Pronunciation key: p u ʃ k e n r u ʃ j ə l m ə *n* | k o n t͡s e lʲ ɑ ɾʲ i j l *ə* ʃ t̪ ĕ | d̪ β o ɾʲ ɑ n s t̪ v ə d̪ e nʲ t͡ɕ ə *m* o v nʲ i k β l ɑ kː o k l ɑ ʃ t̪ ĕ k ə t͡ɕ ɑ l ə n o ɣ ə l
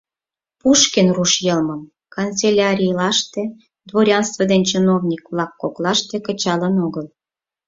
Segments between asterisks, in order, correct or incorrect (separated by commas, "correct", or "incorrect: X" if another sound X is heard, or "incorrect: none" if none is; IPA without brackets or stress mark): incorrect: m, incorrect: ɑ, incorrect: n